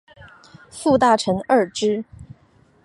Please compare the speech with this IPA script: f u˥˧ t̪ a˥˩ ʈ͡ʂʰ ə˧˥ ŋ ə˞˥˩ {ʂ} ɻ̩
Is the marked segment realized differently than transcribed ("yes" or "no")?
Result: yes